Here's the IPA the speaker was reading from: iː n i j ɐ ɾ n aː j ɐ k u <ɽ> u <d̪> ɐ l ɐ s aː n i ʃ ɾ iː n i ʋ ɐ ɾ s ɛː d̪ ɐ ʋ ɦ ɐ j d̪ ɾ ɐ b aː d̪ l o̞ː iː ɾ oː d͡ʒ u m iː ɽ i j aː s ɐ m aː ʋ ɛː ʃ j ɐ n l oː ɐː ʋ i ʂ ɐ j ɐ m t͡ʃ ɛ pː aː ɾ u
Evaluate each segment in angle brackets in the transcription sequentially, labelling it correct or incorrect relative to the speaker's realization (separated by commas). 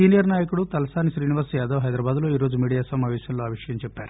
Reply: correct, incorrect